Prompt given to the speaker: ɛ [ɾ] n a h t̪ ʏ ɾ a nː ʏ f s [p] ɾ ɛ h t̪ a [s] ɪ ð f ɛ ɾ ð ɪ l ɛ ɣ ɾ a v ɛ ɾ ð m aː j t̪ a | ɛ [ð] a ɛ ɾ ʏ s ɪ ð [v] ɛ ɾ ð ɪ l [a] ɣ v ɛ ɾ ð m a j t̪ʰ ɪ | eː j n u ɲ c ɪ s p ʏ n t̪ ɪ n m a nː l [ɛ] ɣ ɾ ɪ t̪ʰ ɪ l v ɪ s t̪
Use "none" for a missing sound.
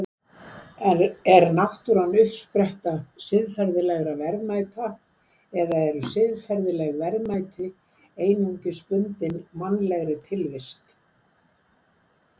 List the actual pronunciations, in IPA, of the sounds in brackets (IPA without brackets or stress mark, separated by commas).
ɾ, p, s, ð, f, ɛ, ɛ